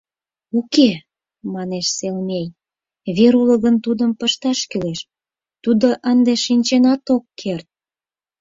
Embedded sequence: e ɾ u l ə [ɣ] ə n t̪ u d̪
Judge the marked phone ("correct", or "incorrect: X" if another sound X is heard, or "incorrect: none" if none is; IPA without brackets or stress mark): correct